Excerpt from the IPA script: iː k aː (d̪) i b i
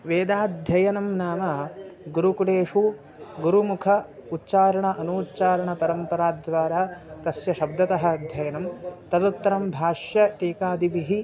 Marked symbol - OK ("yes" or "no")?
yes